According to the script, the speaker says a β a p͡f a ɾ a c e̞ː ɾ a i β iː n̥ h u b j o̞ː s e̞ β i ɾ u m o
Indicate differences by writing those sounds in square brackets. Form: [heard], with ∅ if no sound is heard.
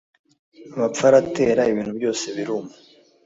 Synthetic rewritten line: a β a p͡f a ɾ a [t] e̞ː ɾ a i β iː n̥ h u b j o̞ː s e̞ β i ɾ u m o